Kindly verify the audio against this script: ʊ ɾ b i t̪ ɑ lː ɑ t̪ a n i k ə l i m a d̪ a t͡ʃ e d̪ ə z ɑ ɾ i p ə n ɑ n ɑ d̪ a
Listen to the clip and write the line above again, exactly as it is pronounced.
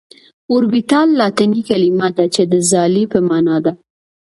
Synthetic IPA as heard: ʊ ɾ b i t̪ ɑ lː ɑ t̪ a n i k a l i m a d̪ a t͡ʃ e d̪ ə z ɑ l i p ə m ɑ n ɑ d̪ a